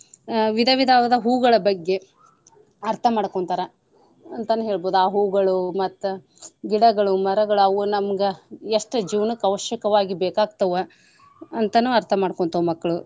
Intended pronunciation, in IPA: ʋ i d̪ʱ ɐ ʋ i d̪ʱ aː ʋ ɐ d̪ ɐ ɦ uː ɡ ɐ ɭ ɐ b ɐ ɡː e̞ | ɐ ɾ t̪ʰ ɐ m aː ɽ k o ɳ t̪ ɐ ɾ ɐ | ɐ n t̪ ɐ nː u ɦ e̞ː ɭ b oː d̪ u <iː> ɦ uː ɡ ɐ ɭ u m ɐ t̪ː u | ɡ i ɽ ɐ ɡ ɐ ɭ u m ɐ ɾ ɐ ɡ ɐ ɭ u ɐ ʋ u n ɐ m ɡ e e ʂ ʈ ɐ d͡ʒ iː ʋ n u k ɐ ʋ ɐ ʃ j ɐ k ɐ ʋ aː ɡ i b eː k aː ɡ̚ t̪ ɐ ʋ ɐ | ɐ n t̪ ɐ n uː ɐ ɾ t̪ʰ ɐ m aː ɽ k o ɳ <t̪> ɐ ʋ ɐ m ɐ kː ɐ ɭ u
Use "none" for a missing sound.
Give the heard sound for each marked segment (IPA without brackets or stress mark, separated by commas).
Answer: aː, t̪